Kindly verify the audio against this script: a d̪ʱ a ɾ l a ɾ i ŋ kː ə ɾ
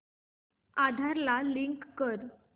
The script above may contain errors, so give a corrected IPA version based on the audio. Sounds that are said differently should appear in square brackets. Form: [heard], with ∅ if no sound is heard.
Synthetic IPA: a d̪ʱ a ɾ l a [l] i ŋ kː ə ɾ